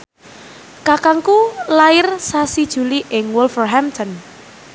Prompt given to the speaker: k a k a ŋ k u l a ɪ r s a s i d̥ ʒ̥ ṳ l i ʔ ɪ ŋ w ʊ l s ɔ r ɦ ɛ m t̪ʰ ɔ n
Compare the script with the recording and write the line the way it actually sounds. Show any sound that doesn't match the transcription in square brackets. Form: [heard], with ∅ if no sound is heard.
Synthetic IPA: k a k a ŋ k u l a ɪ r s a s i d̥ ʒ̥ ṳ l i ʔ ɪ ŋ w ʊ l [f] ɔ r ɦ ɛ m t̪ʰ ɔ n

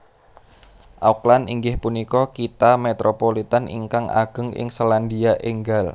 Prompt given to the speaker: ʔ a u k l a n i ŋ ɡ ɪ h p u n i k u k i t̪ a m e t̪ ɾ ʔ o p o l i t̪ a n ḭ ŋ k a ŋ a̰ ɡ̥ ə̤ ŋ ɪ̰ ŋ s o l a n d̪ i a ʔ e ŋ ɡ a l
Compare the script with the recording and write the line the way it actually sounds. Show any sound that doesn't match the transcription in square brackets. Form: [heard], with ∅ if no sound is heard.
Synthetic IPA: ʔ a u k l a n i ŋ ɡ ɪ h p u n i k [ɔ] k i t̪ a m e t̪ ɾ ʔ o p o l i t̪ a n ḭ ŋ k a ŋ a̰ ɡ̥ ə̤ ŋ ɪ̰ ŋ s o l a n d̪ i a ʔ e ŋ ɡ a l

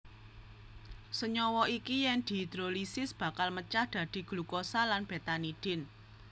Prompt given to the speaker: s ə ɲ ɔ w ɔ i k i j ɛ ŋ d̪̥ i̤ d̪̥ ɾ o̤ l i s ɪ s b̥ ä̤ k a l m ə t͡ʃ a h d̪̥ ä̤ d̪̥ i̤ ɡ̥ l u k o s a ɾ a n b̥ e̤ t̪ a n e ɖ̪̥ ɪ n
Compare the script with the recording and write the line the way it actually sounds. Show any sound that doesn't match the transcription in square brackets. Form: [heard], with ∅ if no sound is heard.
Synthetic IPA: s ə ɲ ɔ w ɔ i k i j ɛ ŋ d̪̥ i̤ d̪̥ ɾ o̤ l i s ɪ s b̥ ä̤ k a l m ə t͡ʃ a h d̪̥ ä̤ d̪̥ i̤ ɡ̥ l u k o s a [l] a n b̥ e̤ t̪ a n [i] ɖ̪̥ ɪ n

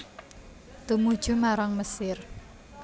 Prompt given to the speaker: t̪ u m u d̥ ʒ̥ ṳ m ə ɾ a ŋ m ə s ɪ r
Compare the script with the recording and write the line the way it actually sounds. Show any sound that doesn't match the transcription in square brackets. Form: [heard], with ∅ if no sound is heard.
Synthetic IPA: t̪ u m u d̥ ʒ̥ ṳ m [a] ɾ a ŋ m ə s ɪ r

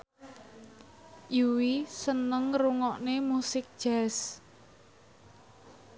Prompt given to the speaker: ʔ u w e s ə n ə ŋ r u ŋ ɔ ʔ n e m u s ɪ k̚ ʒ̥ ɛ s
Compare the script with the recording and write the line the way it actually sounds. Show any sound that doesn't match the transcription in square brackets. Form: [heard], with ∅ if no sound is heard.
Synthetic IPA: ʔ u w [i] s ə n ə ŋ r u ŋ ɔ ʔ n e m u s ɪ k̚ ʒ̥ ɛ s

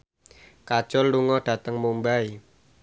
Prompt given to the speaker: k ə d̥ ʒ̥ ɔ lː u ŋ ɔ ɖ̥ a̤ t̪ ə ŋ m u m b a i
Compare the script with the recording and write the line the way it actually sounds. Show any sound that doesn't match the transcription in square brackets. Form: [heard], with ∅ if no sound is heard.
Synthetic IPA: k [a] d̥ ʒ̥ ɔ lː u ŋ ɔ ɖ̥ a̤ t̪ ə ŋ m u m b a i

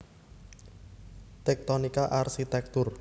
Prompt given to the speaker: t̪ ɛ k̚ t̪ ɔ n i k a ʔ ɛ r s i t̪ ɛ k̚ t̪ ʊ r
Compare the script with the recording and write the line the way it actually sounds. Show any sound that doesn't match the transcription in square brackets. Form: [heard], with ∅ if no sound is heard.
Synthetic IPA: t̪ ɛ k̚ t̪ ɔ n i k a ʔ [a] r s i t̪ ɛ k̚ t̪ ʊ r

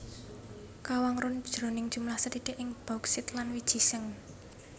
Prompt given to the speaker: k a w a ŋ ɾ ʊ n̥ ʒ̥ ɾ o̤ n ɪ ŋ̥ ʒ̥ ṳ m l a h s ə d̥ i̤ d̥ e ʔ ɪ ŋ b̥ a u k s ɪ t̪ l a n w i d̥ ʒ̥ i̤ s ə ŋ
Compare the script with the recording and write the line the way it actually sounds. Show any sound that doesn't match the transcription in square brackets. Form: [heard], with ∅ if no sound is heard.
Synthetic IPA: k a w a ŋ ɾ ʊ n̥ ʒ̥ ɾ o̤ n ɪ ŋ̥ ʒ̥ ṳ m l a h s ə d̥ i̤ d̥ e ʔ ɪ ŋ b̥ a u k s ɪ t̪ l a n w i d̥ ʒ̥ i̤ s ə ŋ

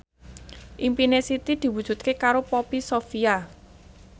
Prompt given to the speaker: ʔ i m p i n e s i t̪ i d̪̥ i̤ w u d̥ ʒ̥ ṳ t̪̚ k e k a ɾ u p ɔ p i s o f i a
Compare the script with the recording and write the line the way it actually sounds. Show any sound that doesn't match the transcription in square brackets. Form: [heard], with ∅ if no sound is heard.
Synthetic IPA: ʔ i m p i n e s i t̪ i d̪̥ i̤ w u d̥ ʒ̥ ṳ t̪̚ k e k a ɾ [o] p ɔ p i s o f i a

